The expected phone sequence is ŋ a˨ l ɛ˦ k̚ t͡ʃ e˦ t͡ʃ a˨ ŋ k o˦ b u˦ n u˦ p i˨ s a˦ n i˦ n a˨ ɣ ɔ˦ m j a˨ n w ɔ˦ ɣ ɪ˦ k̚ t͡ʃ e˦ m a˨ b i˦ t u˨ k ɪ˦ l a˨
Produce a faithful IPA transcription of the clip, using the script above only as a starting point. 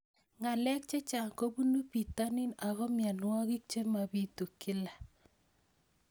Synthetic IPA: ŋ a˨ l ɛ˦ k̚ t͡ʃ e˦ t͡ʃ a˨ ŋ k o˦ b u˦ n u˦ p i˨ t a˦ n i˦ n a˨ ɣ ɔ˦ m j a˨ n w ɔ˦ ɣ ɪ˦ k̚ t͡ʃ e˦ m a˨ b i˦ t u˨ k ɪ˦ l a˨